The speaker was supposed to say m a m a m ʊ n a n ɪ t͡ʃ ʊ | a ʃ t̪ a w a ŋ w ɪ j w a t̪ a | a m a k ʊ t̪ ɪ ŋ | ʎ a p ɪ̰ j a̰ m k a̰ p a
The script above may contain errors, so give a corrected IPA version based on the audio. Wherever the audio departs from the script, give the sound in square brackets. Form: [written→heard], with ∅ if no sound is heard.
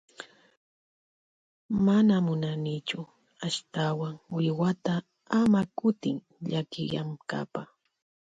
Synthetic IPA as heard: m a [m→n] a m ʊ n a n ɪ t͡ʃ ʊ | a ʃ t̪ a w a ŋ w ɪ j w a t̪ a | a m a k ʊ t̪ ɪ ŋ | ʎ a [p→k] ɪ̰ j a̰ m k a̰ p a